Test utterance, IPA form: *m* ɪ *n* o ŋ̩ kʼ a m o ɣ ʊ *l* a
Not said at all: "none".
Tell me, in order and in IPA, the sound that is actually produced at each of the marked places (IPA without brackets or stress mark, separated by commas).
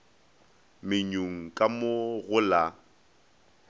m, ɲ, l